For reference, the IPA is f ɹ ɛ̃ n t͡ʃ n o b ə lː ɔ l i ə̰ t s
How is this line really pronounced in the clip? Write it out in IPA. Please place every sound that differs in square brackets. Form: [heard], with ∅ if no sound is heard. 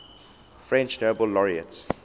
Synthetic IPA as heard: f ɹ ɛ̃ n t͡ʃ n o b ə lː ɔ [ɹ] i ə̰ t s